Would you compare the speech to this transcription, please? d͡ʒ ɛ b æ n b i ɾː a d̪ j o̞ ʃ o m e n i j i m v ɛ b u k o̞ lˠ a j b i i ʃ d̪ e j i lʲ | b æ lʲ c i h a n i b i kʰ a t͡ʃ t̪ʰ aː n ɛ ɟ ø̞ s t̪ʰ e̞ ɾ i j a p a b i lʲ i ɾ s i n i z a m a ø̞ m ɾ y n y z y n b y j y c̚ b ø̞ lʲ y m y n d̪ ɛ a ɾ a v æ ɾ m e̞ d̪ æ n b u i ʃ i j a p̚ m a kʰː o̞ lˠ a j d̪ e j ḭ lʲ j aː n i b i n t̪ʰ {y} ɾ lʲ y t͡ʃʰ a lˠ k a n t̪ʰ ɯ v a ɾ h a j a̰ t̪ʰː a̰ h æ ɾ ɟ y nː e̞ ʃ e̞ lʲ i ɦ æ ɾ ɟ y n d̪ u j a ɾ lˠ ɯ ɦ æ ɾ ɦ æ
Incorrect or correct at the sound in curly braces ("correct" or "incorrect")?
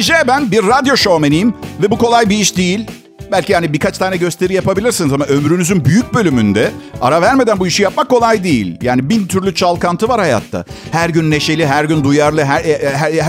correct